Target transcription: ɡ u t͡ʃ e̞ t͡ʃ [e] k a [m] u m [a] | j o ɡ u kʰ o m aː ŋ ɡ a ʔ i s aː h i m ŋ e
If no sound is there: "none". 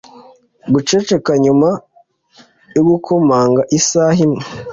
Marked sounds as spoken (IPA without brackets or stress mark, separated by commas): e, ɲ, a